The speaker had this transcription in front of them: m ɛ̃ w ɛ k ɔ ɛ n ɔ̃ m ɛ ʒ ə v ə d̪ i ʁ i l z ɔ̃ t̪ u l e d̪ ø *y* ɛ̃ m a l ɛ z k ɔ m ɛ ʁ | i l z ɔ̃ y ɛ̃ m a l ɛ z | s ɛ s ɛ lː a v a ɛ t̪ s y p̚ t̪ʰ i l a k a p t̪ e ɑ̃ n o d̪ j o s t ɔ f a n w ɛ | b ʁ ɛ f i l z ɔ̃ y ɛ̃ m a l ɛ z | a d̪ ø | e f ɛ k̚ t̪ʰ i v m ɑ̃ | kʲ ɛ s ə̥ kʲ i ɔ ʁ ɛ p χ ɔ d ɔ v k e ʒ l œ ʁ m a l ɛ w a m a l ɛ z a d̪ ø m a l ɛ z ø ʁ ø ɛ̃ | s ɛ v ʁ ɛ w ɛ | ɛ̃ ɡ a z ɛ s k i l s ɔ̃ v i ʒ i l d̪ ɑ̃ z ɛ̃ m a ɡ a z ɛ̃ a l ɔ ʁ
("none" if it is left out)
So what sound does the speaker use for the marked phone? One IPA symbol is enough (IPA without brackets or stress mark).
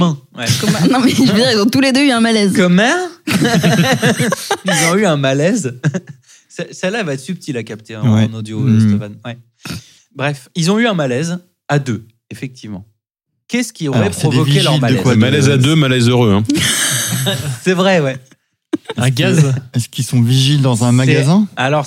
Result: y